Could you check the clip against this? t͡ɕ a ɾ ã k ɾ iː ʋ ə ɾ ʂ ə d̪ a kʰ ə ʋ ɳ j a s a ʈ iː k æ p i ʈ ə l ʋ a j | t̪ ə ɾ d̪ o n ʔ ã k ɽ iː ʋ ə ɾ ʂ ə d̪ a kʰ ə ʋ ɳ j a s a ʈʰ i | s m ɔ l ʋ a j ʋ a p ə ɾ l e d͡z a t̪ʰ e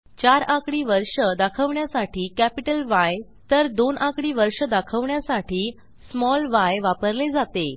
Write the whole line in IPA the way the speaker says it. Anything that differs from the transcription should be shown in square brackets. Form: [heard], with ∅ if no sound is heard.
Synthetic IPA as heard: t͡ɕ a ɾ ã k [ɽ] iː ʋ ə ɾ ʂ ə d̪ a kʰ ə ʋ ɳ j a s a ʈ iː k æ p i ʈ ə l ʋ a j | t̪ ə ɾ d̪ o n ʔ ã k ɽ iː ʋ ə ɾ ʂ ə d̪ a kʰ ə ʋ ɳ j a s a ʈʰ [iː] | s m ɔ l ʋ a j ʋ a p ə ɾ l e d͡z a [t̪] e